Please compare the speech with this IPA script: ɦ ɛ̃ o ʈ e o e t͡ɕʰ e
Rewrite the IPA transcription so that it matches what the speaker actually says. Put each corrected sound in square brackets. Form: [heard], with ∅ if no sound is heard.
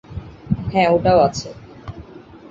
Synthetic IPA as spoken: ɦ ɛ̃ o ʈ [a] o [a] t͡ɕʰ e